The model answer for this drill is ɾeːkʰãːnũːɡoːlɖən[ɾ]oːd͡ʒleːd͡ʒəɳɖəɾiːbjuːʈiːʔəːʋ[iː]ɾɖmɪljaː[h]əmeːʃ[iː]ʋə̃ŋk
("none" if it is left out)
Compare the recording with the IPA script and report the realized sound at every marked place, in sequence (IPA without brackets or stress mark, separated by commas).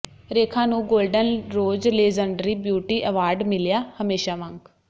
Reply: ɾ, aː, h, aː